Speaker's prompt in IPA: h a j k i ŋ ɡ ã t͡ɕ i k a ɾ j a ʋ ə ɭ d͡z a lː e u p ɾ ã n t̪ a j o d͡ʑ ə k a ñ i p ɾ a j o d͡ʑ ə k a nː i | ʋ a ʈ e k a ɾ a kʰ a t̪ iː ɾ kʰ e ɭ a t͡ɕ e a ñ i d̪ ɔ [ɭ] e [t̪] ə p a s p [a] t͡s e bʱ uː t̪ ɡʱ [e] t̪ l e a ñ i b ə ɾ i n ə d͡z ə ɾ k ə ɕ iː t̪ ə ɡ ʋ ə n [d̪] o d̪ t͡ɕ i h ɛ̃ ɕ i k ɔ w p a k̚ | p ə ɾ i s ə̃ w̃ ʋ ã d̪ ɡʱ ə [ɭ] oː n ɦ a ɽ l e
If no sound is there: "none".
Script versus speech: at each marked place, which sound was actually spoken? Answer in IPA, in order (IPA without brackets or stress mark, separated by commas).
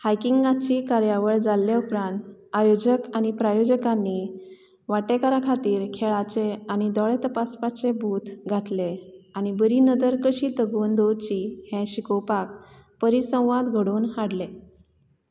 ɭ, t̪, a, a, d̪, ɽ